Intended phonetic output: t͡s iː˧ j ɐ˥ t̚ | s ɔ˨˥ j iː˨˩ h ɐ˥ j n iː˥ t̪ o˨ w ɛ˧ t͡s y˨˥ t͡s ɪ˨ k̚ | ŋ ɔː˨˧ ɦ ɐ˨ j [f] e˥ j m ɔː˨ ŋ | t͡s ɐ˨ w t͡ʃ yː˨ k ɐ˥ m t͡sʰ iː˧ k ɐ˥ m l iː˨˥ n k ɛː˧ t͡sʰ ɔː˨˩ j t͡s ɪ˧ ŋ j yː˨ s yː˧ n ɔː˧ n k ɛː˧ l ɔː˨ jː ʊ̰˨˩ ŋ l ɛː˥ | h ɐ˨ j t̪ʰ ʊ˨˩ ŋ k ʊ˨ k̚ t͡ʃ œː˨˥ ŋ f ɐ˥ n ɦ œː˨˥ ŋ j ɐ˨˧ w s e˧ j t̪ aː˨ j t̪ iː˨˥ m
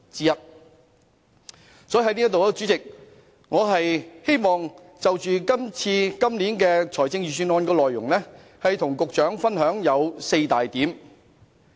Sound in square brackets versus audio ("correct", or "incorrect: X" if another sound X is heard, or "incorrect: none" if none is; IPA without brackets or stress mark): incorrect: h